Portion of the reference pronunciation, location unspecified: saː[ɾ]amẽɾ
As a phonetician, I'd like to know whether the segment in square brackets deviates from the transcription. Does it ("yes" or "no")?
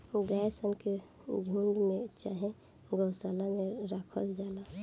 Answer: yes